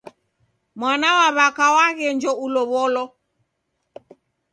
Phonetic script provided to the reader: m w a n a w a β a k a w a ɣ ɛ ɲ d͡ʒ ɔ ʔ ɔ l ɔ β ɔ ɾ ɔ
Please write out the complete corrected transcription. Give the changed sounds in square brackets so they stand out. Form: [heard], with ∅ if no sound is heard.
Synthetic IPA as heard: m w a n a w a β a k a w a ɣ ɛ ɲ d͡ʒ ɔ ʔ [u] l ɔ β ɔ [l] ɔ